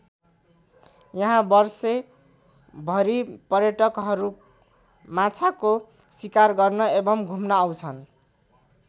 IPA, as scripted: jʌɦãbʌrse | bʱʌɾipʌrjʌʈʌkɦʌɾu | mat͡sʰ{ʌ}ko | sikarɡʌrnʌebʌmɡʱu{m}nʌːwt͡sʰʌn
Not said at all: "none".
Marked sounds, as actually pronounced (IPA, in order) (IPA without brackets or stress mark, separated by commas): a, m